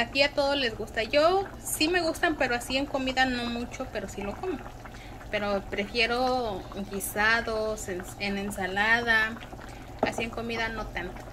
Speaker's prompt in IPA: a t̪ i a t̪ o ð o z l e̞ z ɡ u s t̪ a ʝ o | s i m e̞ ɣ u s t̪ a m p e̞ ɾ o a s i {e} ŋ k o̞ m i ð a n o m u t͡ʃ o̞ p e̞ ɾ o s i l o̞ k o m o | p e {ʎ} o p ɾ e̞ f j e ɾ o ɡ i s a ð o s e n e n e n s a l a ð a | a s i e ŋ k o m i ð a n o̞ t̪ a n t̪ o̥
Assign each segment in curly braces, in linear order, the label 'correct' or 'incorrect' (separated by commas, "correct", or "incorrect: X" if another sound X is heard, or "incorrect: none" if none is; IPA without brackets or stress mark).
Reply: correct, incorrect: ɾ